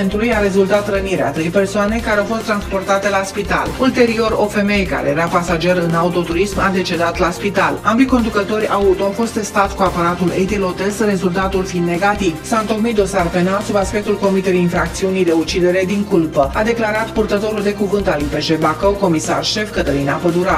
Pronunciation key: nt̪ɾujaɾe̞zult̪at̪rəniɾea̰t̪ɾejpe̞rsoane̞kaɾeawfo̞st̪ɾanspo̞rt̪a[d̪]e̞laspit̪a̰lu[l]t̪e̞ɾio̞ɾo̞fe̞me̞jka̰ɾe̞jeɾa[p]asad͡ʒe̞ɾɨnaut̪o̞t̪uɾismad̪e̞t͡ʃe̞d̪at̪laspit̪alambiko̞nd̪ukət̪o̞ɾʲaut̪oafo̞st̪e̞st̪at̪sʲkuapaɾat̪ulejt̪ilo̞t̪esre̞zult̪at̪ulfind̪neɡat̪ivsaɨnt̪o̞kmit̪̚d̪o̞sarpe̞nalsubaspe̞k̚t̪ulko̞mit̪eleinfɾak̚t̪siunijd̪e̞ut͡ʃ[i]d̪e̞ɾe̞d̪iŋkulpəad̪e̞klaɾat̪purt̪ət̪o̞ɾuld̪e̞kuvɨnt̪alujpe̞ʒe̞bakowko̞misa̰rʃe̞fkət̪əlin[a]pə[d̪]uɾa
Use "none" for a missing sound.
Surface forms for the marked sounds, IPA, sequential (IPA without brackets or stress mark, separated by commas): t̪, l, p, i, a, d̪